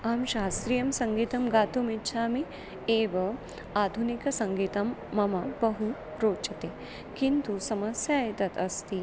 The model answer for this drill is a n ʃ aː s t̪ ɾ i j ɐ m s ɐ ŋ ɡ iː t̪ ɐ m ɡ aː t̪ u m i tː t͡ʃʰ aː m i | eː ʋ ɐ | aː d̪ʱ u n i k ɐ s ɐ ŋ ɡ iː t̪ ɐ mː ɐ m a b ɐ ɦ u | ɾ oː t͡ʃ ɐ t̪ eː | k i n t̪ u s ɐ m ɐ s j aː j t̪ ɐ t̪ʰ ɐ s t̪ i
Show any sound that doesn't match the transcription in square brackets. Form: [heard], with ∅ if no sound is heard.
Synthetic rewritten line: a [m] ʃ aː s t̪ ɾ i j ɐ m s ɐ ŋ ɡ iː t̪ ɐ m ɡ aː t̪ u m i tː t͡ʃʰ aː m i | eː ʋ ɐ | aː d̪ʱ u n i k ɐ s ɐ ŋ ɡ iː t̪ ɐ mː ɐ m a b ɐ ɦ u | ɾ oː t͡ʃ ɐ t̪ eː | k i n t̪ u s ɐ m ɐ s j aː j t̪ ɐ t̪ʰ ɐ s t̪ i

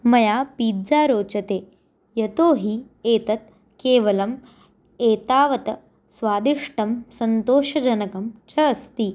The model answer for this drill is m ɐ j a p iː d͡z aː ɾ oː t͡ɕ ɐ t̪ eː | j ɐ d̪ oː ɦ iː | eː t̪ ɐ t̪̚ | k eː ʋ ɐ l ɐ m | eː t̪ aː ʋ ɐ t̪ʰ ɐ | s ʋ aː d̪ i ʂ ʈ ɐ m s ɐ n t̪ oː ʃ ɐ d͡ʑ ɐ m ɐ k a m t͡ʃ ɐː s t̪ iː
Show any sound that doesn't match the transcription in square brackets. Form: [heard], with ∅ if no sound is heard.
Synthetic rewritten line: m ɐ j a p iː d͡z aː ɾ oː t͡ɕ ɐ t̪ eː | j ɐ [t̪] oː ɦ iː | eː t̪ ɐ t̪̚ | k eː ʋ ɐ l ɐ m | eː t̪ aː ʋ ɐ [t̪] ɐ | s ʋ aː d̪ i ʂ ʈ ɐ m s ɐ n t̪ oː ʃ ɐ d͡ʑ ɐ [n] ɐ k [ɐ] m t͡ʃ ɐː s t̪ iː

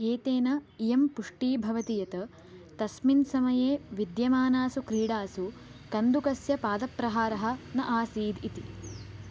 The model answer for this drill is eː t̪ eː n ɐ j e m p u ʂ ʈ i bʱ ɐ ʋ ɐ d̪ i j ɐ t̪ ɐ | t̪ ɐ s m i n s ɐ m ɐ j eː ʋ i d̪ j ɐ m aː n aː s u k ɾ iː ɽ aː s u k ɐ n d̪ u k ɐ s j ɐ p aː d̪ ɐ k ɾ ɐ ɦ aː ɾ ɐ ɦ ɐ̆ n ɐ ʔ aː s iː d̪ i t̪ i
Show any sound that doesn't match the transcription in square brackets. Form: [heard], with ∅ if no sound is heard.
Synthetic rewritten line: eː t̪ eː n ɐ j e m p u ʂ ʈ [iː] bʱ ɐ ʋ ɐ [t̪] i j ɐ t̪ ɐ | t̪ ɐ s m i n s ɐ m ɐ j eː ʋ i d̪ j ɐ m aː n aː s u k ɾ iː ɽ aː s u k ɐ n d̪ u k ɐ s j ɐ p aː d̪ ɐ [p] ɾ ɐ ɦ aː ɾ ɐ ɦ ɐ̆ n ɐ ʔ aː s iː d̪ i t̪ i

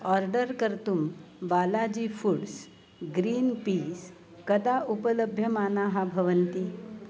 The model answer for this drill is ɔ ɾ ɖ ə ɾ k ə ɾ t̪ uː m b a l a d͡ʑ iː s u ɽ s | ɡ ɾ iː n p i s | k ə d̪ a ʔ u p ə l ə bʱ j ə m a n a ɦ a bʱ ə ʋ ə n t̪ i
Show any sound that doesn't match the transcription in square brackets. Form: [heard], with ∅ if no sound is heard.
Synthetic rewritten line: ɔ ɾ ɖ ə ɾ k ə ɾ t̪ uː m b a l a d͡ʑ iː [f] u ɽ s | ɡ ɾ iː n p i s | k ə d̪ a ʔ u p ə l ə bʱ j ə m a n a ɦ a bʱ ə ʋ ə n t̪ i

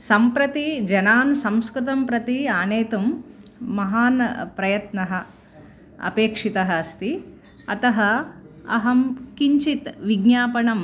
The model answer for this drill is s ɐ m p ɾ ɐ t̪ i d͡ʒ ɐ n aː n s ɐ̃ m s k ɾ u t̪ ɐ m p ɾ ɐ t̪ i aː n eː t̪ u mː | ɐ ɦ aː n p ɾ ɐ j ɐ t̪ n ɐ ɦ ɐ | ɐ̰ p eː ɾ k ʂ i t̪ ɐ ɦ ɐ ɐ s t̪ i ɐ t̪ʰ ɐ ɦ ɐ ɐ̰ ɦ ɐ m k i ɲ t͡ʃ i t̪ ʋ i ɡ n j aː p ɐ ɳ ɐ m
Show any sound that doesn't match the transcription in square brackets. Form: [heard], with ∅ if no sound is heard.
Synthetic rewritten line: s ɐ m p ɾ ɐ t̪ i d͡ʒ ɐ n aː n s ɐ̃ m s k ɾ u t̪ ɐ m p ɾ ɐ t̪ i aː n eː t̪ u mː | ɐ ɦ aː n p ɾ ɐ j ɐ t̪ n ɐ ɦ ɐ | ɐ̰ p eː [∅] k ʂ i t̪ ɐ ɦ ɐ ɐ s t̪ i ɐ [t̪] ɐ ɦ ɐ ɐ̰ ɦ ɐ m k i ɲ t͡ʃ i t̪ ʋ i ɡ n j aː p ɐ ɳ ɐ m

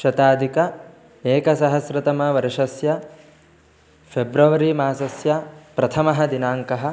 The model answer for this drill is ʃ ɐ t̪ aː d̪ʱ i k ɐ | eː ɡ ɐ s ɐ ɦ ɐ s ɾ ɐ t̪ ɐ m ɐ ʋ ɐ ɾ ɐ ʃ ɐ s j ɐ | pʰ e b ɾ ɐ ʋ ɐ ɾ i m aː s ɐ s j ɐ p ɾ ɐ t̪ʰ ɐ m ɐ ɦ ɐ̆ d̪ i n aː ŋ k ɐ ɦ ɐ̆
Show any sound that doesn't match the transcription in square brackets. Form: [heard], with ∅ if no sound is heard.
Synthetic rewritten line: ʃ ɐ t̪ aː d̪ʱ i k ɐ | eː [k] ɐ s ɐ ɦ ɐ s ɾ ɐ t̪ ɐ m ɐ ʋ ɐ ɾ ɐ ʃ ɐ s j ɐ | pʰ e b ɾ ɐ ʋ ɐ ɾ i m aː s ɐ s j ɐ p ɾ ɐ t̪ʰ ɐ m ɐ ɦ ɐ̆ d̪ i n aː ŋ k ɐ ɦ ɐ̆

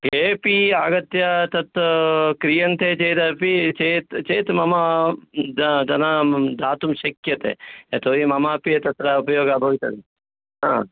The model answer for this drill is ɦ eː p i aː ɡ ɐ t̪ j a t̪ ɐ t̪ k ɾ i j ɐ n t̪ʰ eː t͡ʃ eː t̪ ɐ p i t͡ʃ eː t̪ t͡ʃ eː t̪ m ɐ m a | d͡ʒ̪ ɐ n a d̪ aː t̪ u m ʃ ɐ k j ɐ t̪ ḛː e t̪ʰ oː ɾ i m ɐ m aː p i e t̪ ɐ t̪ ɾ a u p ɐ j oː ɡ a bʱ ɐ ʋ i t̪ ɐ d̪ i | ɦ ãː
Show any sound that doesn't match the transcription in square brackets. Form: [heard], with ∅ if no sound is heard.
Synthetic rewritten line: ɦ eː p i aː ɡ ɐ t̪ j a t̪ ɐ t̪ k ɾ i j ɐ n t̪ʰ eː t͡ʃ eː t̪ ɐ p i t͡ʃ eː t̪ t͡ʃ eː t̪ m ɐ m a | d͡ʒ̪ ɐ n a d̪ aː t̪ u m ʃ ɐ k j ɐ t̪ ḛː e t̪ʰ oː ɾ i m ɐ m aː p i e t̪ ɐ t̪ ɾ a u p ɐ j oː ɡ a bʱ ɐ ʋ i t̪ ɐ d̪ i | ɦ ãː

